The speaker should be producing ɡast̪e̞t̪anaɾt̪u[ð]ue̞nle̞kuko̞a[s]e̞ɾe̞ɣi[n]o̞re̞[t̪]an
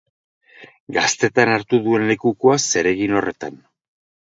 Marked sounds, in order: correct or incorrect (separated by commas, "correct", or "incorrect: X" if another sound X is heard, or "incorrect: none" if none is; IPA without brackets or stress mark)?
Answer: correct, correct, correct, correct